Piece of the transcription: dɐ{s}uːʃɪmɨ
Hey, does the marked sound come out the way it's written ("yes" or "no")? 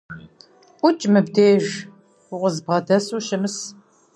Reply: yes